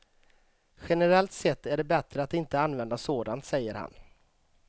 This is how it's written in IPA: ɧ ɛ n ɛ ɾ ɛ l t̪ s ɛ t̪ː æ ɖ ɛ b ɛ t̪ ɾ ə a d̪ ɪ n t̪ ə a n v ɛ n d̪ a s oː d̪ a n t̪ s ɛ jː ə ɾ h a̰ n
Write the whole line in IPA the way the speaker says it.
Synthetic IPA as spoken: ɧ ɛ n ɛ ɾ ɛ l t̪ s ɛ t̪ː æ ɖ ɛ b ɛ t̪ ɾ ə a t̪ ɪ n t̪ ə a n v ɛ n d̪ a s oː d̪ a n t̪ s ɛ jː ə ɾ h a̰ n